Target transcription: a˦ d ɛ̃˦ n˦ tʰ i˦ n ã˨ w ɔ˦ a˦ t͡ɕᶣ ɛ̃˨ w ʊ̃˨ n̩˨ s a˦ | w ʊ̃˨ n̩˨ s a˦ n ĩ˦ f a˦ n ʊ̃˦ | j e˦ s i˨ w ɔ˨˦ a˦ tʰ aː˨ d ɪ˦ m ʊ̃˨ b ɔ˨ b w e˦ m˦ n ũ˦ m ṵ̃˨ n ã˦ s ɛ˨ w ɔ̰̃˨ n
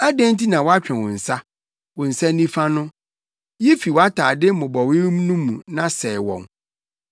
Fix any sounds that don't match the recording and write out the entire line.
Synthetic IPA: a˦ d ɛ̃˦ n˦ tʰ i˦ n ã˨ w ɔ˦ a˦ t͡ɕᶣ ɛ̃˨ w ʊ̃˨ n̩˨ s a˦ | w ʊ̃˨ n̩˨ s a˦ n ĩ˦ f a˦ n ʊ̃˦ | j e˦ f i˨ w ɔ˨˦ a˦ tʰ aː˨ d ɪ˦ m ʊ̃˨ b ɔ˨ w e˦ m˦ n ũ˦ m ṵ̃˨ n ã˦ s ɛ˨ w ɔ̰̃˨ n